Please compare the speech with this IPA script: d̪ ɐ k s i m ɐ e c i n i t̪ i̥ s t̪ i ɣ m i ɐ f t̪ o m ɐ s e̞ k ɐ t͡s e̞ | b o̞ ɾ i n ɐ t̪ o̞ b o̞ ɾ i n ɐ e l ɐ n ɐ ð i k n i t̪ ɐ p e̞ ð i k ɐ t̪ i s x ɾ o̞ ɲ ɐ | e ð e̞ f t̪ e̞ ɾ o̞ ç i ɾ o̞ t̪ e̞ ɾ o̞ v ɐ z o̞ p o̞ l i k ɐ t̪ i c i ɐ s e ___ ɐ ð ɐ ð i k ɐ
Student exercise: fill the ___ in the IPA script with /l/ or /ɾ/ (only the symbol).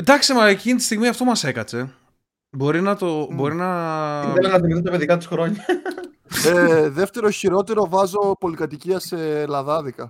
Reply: l